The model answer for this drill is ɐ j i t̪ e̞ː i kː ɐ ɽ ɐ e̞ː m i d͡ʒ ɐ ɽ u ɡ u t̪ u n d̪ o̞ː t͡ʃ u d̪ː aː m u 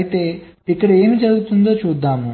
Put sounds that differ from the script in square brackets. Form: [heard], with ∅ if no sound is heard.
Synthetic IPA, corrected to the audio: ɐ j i t̪ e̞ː i kː ɐ ɽ ɐ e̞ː m i d͡ʒ ɐ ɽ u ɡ u t̪ u n d̪ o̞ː t͡ʃ [uː] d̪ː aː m u

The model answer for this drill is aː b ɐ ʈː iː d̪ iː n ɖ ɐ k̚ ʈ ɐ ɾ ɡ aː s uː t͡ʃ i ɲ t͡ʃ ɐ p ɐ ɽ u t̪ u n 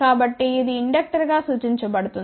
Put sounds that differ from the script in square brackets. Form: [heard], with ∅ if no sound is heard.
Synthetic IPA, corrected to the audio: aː b ɐ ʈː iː d̪ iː [ɳ] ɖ ɐ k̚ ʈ ɐ ɾ ɡ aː s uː t͡ʃ i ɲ t͡ʃ ɐ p ɐ ɽ u t̪ u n

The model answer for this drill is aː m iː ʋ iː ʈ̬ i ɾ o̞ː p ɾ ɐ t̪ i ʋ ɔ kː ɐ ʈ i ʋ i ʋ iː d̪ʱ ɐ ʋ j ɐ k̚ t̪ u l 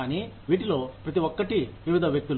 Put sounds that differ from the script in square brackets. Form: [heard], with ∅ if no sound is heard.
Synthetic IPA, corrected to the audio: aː [n] iː ʋ iː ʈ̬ i [l] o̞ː p ɾ ɐ t̪ i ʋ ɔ kː ɐ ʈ i ʋ i ʋ [i] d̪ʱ ɐ ʋ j ɐ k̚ t̪ u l

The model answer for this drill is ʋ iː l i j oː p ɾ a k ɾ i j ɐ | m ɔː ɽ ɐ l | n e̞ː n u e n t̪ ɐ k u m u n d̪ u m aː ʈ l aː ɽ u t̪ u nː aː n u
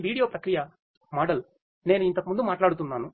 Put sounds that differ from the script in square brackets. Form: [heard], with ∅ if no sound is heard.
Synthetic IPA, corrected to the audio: ʋ iː [ɽ] i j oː p ɾ [ɐ] k ɾ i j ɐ | m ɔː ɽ ɐ l | n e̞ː n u [i] n t̪ ɐ k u m u n d̪ u m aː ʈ l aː ɽ u t̪ u nː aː n u

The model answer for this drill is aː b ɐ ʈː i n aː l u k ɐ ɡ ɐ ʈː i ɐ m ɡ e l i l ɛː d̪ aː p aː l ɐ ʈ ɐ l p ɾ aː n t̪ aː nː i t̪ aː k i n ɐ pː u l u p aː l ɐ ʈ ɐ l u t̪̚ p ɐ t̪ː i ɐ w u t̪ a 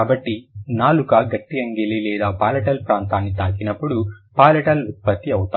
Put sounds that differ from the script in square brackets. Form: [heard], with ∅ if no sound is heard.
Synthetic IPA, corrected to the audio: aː b ɐ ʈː i n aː l u k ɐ ɡ ɐ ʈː i ɐ [ŋ] ɡ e l i l ɛː d̪ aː p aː l ɐ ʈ ɐ l p ɾ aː n t̪ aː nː i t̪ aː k i n ɐ pː u [ɽ] u p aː l ɐ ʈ ɐ l u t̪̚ p ɐ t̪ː i ɐ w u t̪ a

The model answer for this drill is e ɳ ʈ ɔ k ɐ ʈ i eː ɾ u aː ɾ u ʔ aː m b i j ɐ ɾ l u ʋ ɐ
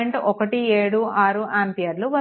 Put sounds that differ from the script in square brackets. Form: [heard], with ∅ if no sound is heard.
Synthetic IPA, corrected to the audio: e ɳ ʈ ɔ k ɐ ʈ i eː [ɽ] u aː ɾ u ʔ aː m [p] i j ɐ ɾ l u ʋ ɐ

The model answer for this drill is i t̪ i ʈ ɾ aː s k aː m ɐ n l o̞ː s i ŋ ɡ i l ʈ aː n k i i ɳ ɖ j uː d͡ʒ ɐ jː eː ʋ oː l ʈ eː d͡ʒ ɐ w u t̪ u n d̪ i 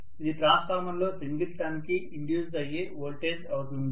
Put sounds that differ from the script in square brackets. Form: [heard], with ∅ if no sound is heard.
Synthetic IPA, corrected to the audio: i [d̪] i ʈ ɾ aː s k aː m ɐ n l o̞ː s i ŋ ɡ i l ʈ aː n k i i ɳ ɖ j uː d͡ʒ ɐ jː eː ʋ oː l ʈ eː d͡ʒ ɐ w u t̪ u n d̪ i

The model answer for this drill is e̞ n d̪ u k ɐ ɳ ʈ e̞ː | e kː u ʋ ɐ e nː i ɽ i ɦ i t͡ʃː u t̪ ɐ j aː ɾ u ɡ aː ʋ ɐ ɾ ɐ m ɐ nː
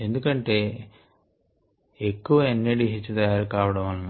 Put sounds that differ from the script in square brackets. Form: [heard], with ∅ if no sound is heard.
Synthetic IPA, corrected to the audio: e̞ n d̪ u k ɐ ɳ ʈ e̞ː | e kː u ʋ ɐ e nː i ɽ i ɦ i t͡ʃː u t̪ ɐ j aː ɾ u [k] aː ʋ ɐ [ɽ] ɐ m ɐ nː

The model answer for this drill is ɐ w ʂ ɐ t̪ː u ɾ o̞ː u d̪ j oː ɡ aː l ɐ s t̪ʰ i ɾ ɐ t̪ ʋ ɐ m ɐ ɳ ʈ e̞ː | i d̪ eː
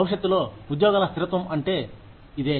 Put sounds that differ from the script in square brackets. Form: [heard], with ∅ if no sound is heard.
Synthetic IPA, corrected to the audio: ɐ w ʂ ɐ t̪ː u [l] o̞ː u d̪ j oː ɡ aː l ɐ s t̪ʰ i ɾ ɐ t̪ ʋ ɐ m ɐ ɳ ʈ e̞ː | i d̪ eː

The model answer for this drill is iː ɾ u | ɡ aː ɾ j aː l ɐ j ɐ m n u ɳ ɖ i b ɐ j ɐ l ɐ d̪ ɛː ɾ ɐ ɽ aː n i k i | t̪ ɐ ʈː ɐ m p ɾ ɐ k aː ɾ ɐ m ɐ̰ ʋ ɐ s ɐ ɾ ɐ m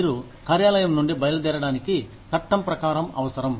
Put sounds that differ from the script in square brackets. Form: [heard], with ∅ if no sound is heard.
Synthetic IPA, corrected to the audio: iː ɾ u | [k] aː ɾ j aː l ɐ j ɐ m n u ɳ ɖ i b ɐ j ɐ l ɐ d̪ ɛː ɾ ɐ ɽ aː n i k i | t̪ ɐ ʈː ɐ m p ɾ ɐ k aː ɾ ɐ m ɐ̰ ʋ ɐ s ɐ ɾ ɐ m

